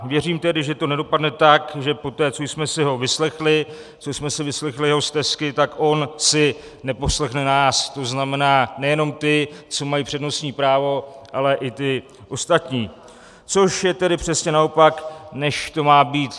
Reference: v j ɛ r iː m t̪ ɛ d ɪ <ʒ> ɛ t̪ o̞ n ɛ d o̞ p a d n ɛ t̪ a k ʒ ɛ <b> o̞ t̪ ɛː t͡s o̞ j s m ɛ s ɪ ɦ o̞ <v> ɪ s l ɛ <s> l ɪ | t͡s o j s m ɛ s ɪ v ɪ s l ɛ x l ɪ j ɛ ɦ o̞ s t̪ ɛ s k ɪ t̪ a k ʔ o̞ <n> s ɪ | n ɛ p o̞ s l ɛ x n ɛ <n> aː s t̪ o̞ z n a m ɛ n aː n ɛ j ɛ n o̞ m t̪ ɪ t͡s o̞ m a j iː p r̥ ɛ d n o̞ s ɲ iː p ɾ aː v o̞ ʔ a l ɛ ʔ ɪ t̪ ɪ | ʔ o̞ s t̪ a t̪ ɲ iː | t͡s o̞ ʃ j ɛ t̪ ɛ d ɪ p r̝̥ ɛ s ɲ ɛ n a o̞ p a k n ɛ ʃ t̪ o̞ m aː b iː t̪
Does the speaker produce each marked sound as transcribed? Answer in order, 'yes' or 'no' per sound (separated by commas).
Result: yes, no, yes, no, yes, yes